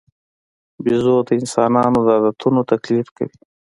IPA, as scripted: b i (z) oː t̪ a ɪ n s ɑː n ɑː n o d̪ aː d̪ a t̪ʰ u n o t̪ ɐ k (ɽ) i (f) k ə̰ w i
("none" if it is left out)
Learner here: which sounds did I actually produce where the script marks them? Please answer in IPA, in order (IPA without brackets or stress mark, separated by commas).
z, l, f